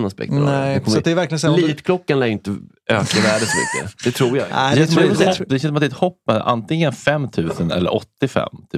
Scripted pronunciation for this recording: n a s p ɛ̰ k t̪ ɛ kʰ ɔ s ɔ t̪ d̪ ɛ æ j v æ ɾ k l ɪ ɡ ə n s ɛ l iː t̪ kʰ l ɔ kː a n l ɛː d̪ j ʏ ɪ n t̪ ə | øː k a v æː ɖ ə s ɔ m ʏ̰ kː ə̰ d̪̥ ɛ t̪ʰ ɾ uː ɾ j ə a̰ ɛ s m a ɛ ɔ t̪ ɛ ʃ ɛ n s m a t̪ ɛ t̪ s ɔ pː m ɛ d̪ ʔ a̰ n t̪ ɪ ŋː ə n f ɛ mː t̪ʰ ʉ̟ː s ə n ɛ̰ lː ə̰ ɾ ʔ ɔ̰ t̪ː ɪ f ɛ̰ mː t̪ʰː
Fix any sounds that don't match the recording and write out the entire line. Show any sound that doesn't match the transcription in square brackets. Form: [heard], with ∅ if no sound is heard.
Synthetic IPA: n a s p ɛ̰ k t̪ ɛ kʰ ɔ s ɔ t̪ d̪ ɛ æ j v æ ɾ k l ɪ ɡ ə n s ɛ l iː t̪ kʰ l ɔ kː a n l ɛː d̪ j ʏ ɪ n t̪ ə | øː k a v æː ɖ ə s ɔ m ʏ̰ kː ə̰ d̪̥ ɛ t̪ʰ ɾ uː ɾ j [a] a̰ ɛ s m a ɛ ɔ [d̪] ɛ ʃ ɛ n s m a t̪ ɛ t̪ [h] ɔ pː m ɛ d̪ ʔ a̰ n t̪ ɪ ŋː ə n f ɛ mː t̪ʰ ʉ̟ː s ə n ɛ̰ lː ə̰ ɾ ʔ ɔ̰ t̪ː ɪ f ɛ̰ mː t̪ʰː